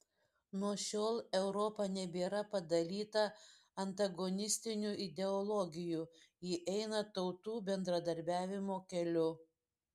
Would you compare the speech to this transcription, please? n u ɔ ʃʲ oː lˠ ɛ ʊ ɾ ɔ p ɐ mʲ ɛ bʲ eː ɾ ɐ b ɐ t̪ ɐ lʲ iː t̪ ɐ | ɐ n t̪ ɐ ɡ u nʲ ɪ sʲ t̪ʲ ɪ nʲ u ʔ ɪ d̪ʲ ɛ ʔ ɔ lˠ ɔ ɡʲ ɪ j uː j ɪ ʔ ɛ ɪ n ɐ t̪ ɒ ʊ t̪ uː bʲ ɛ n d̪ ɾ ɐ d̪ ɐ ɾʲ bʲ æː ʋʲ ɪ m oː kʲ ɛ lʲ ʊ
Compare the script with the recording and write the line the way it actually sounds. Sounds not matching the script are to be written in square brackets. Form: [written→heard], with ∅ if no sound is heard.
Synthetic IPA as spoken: n u ɔ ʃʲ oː lˠ ɛ ʊ ɾ ɔ p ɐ [mʲ→nʲ] ɛ bʲ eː ɾ ɐ [b→p] ɐ [t̪→d̪] ɐ lʲ iː t̪ ɐ | ɐ n t̪ ɐ ɡ [u→ɔ] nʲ ɪ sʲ t̪ʲ ɪ nʲ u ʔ ɪ d̪ʲ ɛ [ʔ→∅] ɔ lˠ ɔ ɡʲ ɪ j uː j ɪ ʔ ɛ ɪ n ɐ t̪ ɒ ʊ t̪ uː bʲ ɛ n d̪ ɾ ɐ d̪ ɐ ɾʲ bʲ æː ʋʲ ɪ m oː kʲ ɛ lʲ ʊ